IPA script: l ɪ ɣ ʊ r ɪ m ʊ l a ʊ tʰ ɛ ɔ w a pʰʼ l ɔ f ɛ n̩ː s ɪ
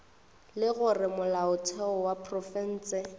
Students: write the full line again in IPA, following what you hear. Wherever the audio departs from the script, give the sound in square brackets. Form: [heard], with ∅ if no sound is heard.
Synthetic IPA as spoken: l ɪ ɣ ʊ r ɪ m ʊ l a ʊ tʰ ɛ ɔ w a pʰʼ [r] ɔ f ɛ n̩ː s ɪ